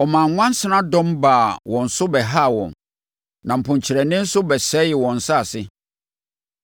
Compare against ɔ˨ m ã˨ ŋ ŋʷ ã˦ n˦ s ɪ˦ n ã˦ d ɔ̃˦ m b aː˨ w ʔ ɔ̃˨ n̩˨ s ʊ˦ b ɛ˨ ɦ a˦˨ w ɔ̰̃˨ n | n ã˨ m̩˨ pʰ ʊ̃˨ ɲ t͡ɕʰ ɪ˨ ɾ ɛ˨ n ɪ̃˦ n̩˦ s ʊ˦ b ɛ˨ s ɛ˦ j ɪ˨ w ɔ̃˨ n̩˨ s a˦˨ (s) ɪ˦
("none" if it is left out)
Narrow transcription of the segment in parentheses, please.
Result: s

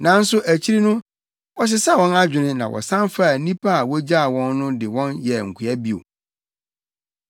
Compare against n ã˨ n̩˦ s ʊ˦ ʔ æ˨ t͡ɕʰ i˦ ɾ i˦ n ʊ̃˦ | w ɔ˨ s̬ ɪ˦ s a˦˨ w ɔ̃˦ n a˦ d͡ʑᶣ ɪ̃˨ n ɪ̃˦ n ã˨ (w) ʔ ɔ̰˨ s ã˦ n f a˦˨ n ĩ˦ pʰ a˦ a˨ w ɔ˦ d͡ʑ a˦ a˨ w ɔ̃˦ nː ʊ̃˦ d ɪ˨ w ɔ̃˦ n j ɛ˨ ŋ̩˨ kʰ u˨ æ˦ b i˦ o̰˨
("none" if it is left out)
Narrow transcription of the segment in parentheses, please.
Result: w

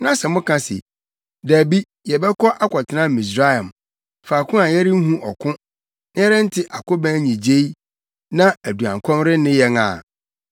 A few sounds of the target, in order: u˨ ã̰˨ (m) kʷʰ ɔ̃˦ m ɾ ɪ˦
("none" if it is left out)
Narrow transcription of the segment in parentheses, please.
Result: ŋ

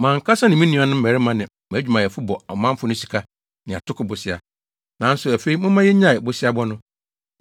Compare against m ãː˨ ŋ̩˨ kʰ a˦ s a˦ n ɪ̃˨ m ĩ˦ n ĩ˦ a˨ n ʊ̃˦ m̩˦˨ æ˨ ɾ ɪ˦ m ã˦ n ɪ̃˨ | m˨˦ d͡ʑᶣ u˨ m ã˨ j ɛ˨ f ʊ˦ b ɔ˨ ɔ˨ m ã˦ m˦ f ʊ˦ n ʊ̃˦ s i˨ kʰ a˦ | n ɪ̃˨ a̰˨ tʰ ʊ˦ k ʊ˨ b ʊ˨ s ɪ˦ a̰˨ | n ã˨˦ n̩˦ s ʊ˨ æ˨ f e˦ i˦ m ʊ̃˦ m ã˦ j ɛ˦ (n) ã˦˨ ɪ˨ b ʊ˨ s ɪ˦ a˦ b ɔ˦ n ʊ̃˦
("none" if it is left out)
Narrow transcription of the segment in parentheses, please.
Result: ɲ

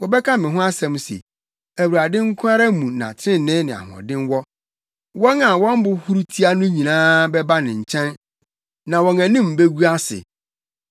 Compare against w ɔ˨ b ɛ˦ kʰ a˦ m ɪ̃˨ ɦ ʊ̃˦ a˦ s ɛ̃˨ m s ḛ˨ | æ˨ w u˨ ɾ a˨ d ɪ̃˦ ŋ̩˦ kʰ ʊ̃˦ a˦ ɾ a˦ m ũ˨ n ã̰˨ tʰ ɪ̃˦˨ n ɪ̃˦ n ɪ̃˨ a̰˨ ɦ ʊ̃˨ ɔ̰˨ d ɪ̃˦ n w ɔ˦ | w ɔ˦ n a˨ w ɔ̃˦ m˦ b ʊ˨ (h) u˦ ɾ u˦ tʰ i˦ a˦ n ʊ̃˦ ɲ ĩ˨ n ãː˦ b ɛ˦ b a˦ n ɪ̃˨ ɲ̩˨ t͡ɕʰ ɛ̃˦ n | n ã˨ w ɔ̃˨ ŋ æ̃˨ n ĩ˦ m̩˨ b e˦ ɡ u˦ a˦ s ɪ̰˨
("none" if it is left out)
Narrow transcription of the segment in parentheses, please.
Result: h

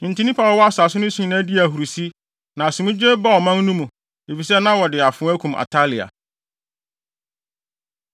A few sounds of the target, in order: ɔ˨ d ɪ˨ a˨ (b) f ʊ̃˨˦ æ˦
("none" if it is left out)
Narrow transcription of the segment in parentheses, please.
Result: none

